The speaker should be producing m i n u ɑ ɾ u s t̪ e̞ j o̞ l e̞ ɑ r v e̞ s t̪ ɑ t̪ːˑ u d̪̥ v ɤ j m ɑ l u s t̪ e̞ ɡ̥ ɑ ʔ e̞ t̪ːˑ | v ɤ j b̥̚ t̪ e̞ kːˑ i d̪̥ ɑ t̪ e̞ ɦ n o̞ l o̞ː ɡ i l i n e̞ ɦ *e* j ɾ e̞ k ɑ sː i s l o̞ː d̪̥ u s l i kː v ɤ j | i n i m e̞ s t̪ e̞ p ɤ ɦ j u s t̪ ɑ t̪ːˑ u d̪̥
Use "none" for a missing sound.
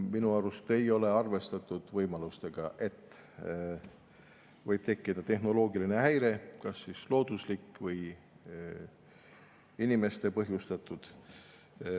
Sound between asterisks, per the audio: æ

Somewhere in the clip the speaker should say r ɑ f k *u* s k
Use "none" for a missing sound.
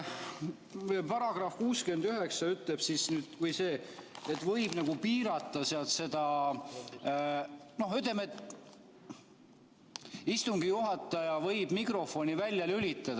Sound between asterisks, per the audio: uː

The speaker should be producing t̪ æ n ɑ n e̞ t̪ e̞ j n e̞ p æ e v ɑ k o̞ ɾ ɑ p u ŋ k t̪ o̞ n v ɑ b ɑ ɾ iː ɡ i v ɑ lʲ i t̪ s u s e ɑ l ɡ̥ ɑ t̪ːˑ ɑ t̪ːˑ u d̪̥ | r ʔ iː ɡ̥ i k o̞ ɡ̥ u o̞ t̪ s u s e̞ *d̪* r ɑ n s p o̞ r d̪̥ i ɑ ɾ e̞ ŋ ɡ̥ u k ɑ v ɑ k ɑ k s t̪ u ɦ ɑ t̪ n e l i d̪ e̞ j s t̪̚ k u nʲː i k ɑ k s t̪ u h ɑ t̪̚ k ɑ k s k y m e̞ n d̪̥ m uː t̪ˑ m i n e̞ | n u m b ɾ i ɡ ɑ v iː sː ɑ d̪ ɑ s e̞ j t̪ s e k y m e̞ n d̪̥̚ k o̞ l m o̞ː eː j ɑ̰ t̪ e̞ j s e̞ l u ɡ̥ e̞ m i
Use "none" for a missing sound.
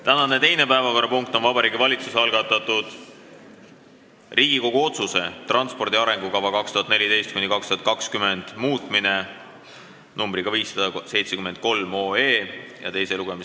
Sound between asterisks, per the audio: t̪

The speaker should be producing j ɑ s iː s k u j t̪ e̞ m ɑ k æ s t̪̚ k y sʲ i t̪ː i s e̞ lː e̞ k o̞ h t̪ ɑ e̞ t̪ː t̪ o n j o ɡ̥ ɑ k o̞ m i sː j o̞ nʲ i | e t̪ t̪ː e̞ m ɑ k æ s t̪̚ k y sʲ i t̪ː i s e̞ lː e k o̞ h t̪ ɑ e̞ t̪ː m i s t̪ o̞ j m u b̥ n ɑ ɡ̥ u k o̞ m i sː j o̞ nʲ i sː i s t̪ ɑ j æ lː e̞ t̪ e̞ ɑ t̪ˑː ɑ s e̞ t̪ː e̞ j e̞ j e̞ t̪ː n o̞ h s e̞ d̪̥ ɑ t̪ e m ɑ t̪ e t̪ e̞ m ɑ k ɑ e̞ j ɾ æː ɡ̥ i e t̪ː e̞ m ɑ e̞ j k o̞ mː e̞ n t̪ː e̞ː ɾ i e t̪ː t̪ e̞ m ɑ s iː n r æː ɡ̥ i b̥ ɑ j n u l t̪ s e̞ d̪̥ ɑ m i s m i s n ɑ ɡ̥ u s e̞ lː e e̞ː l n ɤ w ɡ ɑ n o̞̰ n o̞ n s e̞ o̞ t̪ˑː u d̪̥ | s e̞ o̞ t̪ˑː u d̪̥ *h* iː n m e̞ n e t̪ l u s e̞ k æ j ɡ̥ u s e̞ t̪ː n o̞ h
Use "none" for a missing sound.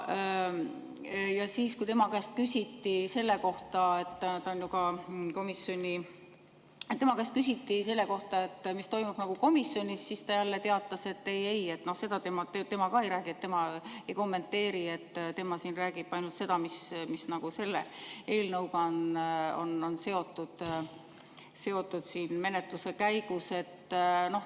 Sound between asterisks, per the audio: s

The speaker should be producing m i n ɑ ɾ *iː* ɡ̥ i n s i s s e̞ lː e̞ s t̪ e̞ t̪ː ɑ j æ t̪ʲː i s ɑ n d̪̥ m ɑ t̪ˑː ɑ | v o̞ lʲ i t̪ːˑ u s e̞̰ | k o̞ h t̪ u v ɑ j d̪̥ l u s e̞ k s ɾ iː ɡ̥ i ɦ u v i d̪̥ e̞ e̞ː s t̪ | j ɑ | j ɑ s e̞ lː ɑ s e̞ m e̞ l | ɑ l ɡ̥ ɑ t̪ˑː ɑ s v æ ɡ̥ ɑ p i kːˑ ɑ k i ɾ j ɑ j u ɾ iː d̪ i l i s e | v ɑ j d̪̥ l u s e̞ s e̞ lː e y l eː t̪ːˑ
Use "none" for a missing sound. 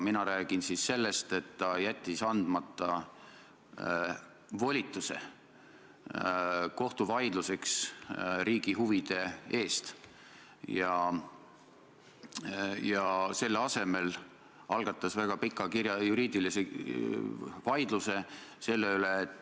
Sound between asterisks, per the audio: æː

